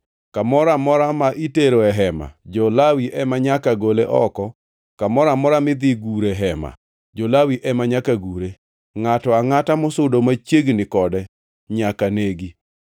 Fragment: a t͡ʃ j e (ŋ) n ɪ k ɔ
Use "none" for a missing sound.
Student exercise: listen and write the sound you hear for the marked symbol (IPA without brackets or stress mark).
ɡ